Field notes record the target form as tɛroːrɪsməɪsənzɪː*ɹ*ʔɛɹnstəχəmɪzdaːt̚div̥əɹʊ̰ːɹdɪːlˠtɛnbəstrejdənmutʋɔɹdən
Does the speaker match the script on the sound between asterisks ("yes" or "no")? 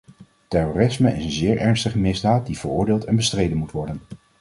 yes